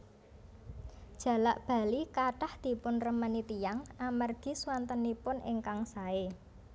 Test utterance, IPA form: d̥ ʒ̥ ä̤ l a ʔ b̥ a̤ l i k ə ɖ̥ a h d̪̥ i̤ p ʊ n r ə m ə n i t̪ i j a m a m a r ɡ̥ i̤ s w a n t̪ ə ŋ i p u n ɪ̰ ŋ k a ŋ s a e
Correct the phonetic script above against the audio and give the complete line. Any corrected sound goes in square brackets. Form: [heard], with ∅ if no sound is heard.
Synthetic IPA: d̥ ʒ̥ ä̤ l a ʔ b̥ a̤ l i k [a] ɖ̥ a h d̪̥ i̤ p ʊ n r ə m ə n i t̪ i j a [ŋ] a m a r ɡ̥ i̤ s w a n t̪ ə [n] i p [ʊ] n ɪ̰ ŋ k a ŋ s a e